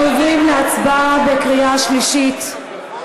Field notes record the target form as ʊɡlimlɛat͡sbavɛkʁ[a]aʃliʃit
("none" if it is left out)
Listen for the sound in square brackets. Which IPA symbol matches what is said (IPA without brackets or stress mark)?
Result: i